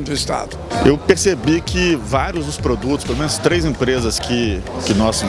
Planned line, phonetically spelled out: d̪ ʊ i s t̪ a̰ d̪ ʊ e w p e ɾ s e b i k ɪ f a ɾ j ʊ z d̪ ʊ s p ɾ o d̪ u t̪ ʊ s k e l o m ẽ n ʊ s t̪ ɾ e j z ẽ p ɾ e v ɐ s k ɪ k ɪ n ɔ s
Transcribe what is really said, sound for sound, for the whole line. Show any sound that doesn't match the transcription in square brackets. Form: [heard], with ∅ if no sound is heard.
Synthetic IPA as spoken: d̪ ʊ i s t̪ a̰ d̪ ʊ e w p e ɾ s e b i k ɪ [v] a ɾ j ʊ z d̪ ʊ s p ɾ o d̪ u t̪ ʊ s [p] e l o m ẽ n ʊ s t̪ ɾ e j z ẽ p ɾ e [z] ɐ s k ɪ k ɪ n ɔ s